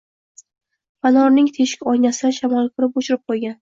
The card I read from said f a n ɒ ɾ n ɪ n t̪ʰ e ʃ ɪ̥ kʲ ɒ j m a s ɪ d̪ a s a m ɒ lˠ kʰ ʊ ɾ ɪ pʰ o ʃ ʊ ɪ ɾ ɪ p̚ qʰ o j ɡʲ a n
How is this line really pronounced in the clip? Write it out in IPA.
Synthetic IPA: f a n ɒ ɾ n ɪ ŋ t̪ʰ e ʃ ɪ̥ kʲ ɒ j n a s ɪ d̪ a ʃ a m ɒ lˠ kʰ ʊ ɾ ɪ p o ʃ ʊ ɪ ɾ ɪ p̚ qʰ o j ɡʲ a n